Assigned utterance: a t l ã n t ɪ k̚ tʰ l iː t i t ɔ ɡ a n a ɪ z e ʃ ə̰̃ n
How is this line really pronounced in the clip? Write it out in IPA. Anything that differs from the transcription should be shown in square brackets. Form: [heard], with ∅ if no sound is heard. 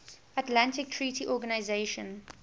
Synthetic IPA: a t l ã n t ɪ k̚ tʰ [ɹ] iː t i [ʔ] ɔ ɡ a n a ɪ z e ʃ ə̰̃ n